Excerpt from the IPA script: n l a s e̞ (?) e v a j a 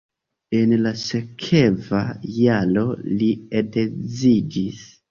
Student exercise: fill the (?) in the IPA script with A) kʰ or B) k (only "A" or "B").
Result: A